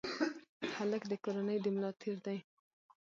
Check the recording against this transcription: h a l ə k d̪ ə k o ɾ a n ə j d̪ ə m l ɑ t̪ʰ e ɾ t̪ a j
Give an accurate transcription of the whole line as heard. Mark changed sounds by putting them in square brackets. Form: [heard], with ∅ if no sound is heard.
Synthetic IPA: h a l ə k d̪ ə k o ɾ a n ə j d̪ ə m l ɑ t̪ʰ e ɾ [d̪] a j